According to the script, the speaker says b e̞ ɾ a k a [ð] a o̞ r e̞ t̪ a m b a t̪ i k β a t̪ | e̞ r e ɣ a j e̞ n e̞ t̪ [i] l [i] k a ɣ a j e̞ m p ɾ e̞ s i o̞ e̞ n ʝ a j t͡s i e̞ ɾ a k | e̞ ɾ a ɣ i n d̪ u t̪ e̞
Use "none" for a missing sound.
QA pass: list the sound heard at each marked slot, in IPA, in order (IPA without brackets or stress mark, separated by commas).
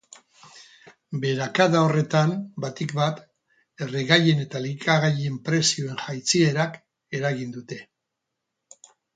ð, a, i